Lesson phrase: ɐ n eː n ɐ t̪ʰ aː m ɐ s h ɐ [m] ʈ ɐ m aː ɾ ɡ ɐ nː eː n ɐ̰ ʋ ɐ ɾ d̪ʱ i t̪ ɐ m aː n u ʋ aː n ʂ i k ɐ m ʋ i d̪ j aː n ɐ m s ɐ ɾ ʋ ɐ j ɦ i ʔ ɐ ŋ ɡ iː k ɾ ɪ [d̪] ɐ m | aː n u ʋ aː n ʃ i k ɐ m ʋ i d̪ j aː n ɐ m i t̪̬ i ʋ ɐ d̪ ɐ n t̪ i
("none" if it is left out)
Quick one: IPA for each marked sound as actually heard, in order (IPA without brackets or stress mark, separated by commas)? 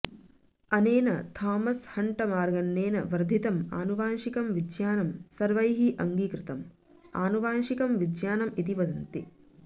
ɳ, t̪